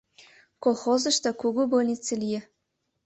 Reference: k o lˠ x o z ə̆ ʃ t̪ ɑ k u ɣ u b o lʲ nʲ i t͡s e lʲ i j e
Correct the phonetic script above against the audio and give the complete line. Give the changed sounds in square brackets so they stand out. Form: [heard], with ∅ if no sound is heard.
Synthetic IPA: k o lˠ x o z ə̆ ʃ t̪ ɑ k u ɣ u b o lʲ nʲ i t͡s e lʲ i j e